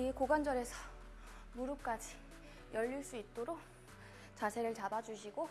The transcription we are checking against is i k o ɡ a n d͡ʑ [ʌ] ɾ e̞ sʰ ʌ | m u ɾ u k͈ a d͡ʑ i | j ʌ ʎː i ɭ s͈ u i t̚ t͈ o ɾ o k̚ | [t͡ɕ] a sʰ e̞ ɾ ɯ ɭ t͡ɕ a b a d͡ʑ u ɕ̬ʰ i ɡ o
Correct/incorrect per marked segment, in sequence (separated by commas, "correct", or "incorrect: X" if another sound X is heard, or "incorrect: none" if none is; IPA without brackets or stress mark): correct, correct